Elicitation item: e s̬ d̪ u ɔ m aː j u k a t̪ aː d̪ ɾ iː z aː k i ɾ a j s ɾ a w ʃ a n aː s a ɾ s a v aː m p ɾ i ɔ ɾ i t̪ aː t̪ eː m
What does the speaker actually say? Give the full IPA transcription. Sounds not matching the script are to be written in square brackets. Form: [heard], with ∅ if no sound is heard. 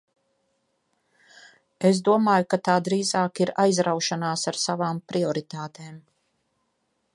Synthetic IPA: e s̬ d̪ u ɔ m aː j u k a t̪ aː d̪ ɾ iː z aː k i ɾ a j [z] ɾ a w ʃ a n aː s a ɾ s a v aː m p ɾ i ɔ ɾ i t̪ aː t̪ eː m